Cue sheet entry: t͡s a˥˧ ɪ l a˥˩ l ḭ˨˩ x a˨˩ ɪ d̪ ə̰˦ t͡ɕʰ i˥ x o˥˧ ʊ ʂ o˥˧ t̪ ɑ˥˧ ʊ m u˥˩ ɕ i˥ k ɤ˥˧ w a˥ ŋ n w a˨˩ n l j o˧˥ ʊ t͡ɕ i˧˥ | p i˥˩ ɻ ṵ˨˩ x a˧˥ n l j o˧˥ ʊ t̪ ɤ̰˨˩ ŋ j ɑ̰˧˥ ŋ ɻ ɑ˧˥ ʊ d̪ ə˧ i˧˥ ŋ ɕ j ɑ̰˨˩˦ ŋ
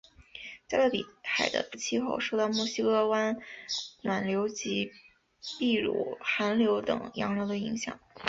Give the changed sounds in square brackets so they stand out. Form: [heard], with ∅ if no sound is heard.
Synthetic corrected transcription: t͡s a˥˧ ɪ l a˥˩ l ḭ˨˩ x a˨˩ ɪ d̪ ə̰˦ t͡ɕʰ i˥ x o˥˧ ʊ ʂ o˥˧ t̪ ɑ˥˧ ʊ m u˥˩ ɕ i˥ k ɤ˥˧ w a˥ [n] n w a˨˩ n l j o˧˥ ʊ t͡ɕ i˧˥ | p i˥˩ ɻ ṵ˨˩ x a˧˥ n l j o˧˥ ʊ t̪ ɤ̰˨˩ ŋ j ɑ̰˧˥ ŋ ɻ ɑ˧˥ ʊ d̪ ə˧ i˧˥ ŋ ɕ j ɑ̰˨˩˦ ŋ